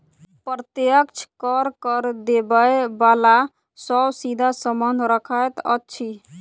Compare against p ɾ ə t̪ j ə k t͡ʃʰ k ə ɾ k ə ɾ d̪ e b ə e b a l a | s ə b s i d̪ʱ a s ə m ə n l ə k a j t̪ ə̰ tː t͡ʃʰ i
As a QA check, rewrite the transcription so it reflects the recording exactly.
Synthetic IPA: p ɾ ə t̪ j ə k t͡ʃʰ k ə ɾ k ə ɾ d̪ e b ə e b a l a | s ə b s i d̪ʱ a s ə m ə n ɾ ə kʰ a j t̪ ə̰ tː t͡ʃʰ i